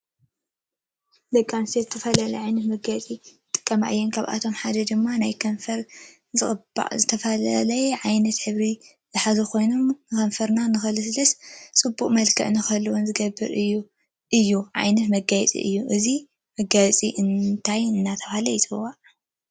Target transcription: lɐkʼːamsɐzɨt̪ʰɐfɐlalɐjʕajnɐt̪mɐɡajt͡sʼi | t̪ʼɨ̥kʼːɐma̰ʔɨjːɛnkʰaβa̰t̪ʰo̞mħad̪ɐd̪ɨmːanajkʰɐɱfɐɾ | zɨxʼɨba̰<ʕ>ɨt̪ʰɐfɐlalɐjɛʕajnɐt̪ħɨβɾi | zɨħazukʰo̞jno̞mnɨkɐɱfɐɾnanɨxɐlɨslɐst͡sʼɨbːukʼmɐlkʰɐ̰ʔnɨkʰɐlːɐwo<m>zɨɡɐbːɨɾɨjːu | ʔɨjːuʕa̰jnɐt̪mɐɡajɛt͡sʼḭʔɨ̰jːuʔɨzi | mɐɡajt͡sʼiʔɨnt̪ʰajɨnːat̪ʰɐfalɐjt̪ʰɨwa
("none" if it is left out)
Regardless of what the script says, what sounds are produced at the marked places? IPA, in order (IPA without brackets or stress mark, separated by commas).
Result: z, n